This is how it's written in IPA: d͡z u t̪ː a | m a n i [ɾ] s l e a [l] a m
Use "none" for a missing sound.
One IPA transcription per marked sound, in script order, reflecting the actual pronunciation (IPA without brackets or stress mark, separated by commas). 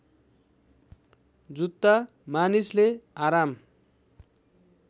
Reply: none, ɾ